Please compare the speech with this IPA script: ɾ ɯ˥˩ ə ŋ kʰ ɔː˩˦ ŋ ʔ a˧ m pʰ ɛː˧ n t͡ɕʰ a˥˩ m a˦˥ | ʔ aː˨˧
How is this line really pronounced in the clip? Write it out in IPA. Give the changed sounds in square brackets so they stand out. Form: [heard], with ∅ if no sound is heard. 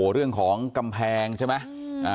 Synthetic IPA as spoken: ɾ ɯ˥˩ ə ŋ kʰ ɔː˩˦ ŋ [k] a˧ m pʰ ɛː˧ [ŋ] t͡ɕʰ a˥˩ m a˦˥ | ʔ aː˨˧